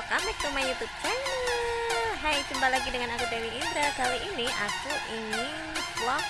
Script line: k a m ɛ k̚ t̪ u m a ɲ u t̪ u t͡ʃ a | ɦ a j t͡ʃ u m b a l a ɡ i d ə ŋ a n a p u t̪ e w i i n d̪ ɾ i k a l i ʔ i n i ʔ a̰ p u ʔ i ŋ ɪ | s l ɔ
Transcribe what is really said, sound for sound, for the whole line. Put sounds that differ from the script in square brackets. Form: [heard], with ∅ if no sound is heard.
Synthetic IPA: k a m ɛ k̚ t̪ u m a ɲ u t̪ u t͡ʃ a | ɦ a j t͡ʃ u m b a l a ɡ i d ə ŋ a n a [k] u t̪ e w i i n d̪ ɾ [a] k a l i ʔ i n i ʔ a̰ [k] u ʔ i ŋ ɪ | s l ɔ